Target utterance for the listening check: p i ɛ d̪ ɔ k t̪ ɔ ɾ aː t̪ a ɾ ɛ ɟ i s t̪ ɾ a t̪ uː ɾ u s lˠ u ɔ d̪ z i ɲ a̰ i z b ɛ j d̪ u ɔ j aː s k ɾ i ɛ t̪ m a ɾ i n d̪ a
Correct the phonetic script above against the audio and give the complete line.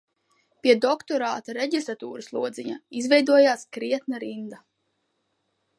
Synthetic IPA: p i ɛ d̪ ɔ k t̪ ɔ ɾ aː t̪ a ɾ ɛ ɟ i s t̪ ɾ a t̪ uː ɾ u s lˠ u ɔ d̪ z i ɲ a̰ i z v ɛ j d̪ u ɔ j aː s k ɾ i ɛ t̪ n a ɾ i n d̪ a